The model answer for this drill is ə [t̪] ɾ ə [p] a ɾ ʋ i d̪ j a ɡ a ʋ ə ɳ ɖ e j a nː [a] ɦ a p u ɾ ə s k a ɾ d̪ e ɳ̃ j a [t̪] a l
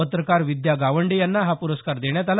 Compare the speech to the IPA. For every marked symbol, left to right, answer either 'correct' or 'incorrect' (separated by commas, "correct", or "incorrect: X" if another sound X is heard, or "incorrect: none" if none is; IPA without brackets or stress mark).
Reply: correct, incorrect: k, correct, correct